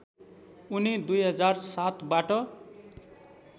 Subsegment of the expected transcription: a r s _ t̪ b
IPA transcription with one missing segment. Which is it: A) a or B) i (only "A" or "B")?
A